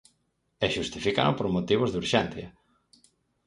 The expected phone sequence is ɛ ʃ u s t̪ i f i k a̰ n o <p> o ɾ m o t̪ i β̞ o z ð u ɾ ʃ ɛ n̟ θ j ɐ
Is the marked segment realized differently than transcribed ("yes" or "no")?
no